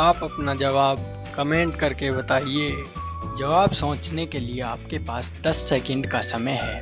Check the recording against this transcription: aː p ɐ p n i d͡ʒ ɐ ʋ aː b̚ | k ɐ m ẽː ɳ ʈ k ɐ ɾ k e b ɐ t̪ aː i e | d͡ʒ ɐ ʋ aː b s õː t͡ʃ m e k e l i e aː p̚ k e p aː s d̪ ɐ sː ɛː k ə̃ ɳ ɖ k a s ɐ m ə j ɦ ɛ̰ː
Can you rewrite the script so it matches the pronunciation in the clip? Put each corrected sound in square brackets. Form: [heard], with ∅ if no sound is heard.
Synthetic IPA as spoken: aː p ɐ p n [a] d͡ʒ ɐ ʋ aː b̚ | k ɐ m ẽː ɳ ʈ k ɐ ɾ k e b ɐ t̪ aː i e | d͡ʒ ɐ ʋ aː b s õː t͡ʃ [n] e k e l i e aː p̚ k e p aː s d̪ ɐ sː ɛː k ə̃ ɳ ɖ k a s ɐ m ə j ɦ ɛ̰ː